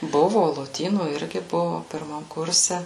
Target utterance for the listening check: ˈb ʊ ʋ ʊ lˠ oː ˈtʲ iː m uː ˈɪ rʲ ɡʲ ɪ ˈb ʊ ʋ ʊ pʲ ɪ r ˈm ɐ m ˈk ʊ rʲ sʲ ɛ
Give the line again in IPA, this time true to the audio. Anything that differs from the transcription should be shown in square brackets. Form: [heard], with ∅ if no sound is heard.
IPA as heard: ˈb ʊ ʋ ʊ lˠ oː ˈtʲ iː [n] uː ˈɪ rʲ ɡʲ ɪ ˈb ʊ ʋ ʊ pʲ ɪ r ˈm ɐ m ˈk ʊ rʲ sʲ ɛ